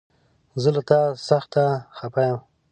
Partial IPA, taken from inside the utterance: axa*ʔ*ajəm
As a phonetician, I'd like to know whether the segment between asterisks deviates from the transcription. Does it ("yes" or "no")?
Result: yes